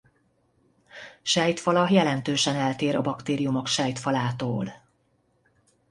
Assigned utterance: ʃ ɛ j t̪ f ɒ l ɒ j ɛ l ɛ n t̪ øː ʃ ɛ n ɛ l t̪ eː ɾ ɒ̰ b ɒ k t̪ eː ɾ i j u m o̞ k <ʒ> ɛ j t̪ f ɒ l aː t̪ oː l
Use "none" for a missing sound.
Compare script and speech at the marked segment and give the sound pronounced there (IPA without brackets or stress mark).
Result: ʃ